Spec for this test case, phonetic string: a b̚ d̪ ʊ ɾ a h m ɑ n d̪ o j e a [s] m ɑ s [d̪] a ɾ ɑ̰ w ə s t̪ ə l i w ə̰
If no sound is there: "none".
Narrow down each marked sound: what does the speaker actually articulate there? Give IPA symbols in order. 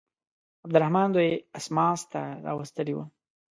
s, t̪

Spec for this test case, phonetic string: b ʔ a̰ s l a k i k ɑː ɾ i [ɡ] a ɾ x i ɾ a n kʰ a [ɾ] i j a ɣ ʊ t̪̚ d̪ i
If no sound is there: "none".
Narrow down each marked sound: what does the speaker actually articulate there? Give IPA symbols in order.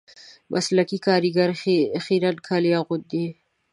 ɡ, l

